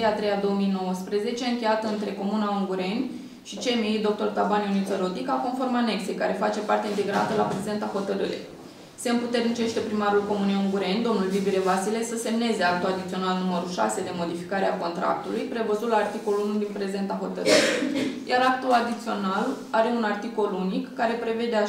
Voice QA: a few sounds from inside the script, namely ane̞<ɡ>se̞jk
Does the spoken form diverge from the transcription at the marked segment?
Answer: yes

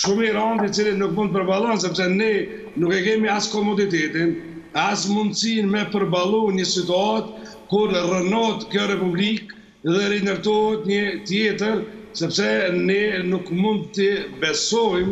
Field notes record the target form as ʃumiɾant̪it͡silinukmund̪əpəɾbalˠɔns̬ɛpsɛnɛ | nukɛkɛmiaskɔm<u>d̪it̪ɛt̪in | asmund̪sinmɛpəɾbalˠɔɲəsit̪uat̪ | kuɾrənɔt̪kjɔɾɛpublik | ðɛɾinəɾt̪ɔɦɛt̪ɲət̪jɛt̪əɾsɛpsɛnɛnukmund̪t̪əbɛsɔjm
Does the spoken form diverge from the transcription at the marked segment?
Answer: yes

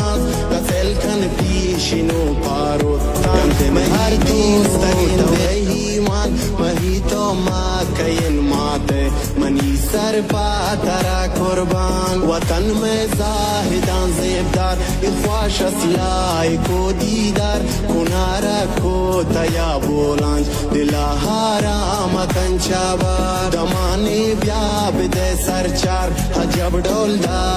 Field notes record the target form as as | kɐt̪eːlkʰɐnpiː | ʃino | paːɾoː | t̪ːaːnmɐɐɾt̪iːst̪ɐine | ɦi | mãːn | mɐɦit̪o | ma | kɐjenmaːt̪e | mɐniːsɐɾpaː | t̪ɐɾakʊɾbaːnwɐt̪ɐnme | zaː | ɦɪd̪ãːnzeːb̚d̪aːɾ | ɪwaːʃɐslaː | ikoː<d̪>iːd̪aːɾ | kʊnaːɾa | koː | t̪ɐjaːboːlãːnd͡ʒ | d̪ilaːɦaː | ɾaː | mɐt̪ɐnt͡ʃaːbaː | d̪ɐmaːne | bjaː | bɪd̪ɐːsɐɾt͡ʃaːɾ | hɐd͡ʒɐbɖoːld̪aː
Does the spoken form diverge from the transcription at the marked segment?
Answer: no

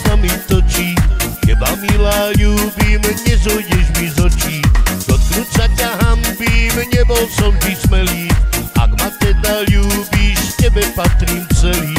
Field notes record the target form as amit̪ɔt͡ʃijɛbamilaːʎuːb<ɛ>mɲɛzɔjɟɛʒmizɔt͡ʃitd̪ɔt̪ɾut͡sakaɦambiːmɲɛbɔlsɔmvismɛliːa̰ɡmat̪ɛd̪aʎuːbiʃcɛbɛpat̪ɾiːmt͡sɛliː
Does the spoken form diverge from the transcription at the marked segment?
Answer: yes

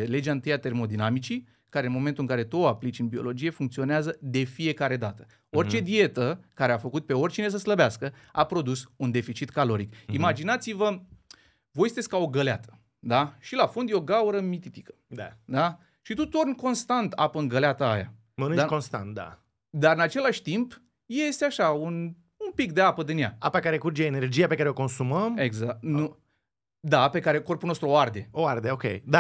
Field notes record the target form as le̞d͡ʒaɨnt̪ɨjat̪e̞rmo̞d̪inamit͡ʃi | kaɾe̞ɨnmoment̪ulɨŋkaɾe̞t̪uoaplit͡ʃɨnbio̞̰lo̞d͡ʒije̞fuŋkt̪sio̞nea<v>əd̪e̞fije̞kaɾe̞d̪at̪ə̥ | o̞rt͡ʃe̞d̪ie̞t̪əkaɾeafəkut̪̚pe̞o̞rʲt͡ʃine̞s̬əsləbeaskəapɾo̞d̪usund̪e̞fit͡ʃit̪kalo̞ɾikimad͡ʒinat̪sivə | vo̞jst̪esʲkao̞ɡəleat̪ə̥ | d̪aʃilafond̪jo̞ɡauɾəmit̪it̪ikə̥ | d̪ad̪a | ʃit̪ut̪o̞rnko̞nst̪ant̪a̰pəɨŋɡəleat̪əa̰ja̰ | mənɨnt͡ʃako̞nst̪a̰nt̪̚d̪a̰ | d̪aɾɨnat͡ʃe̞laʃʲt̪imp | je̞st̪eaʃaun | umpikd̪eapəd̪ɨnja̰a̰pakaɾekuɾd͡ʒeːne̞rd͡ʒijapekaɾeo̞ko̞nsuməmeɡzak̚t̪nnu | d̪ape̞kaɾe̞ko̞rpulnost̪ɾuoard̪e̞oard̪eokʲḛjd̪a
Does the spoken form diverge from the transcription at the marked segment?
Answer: yes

